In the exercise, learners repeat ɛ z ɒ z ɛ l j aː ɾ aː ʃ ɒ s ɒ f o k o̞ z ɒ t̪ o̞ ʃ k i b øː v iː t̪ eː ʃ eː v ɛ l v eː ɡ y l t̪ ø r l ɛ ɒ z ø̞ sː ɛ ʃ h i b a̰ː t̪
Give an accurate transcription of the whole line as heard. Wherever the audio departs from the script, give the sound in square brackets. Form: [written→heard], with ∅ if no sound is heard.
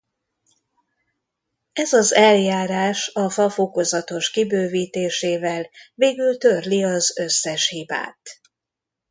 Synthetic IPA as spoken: ɛ z ɒ z ɛ l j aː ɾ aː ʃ ɒ [s→f] ɒ f o k o̞ z ɒ t̪ o̞ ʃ k i b øː v iː t̪ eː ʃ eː v ɛ l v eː ɡ y l t̪ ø r l [ɛ→i] ɒ z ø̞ sː ɛ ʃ h i b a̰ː t̪